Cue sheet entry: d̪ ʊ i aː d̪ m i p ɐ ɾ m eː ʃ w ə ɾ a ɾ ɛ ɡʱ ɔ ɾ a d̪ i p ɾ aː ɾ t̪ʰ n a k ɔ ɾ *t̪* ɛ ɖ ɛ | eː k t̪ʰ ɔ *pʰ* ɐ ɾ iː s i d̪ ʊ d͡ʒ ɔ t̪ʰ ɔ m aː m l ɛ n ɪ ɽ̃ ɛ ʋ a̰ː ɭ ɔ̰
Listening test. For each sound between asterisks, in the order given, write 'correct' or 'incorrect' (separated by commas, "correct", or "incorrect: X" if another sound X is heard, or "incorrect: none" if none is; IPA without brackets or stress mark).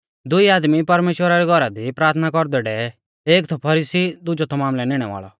incorrect: d̪, correct